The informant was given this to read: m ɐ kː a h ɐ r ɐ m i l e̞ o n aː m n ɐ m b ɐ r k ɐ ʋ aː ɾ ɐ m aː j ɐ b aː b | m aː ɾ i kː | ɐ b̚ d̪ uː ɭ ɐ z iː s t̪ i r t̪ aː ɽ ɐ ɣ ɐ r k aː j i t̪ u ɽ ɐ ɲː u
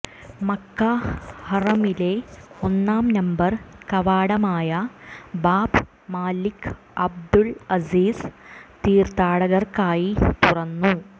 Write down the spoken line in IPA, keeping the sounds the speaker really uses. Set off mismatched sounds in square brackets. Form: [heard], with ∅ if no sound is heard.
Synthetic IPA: m ɐ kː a h ɐ r ɐ m i l e̞ o [nː] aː m n ɐ m b ɐ r k ɐ ʋ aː [ɽ] ɐ m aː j ɐ b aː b | m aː [l] i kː | ɐ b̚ d̪ [u] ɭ ɐ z iː s t̪ [iː] r t̪ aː ɽ ɐ ɣ ɐ r k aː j i t̪ u [r] ɐ [nː] u